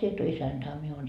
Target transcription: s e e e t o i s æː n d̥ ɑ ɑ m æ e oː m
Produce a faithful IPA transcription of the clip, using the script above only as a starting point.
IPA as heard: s i e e t o i s æ n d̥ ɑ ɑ m i e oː n